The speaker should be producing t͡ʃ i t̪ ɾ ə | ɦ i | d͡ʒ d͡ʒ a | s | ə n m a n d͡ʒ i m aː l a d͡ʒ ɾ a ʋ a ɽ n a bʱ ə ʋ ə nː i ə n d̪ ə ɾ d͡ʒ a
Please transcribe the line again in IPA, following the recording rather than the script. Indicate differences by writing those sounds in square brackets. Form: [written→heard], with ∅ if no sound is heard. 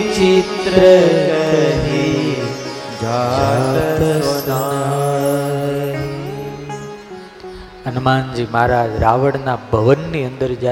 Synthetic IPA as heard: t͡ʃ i t̪ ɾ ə | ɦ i | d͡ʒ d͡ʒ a | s | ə n m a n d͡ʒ i m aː [l→ɾ] a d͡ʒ ɾ a ʋ [a→ə] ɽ n a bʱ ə ʋ ə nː i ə n d̪ ə ɾ d͡ʒ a